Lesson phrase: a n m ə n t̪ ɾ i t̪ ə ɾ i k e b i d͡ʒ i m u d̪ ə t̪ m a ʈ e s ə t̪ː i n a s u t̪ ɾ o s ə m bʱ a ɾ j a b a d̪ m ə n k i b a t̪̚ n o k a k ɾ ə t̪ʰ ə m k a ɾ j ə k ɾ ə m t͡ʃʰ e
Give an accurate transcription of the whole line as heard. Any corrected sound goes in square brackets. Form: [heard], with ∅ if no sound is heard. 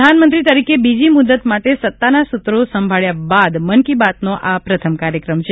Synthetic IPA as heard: a n m ə n t̪ ɾ i t̪ ə ɾ i k e b i d͡ʒ i m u d̪ ə t̪ m a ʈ e s ə t̪ː [a] n a s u t̪ ɾ o s ə m bʱ a [ɭ] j a b a d̪ m ə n k i b a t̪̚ n o [ʔ] a [p] ɾ ə t̪ʰ ə m k a ɾ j ə k ɾ ə m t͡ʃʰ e